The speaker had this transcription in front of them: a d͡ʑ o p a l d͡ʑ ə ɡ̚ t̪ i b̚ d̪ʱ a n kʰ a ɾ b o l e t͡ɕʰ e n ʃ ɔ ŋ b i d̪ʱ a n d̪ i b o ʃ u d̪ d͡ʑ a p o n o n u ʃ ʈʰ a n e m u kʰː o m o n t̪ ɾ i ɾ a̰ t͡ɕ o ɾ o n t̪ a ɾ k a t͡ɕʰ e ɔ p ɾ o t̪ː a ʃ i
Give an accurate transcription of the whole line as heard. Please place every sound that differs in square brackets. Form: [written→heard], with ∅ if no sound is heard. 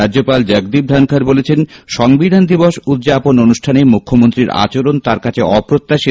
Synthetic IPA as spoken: a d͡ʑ o p a l d͡ʑ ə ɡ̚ [t̪→d̪] i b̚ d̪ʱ a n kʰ a ɾ b o l e t͡ɕʰ e n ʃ ɔ ŋ b i d̪ʱ a n d̪ i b o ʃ u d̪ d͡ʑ a p o n o n u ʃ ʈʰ a n e m u kʰː o m o n t̪ ɾ i ɾ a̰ t͡ɕ o ɾ o n t̪ a ɾ k a t͡ɕʰ e ɔ p ɾ o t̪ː a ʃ i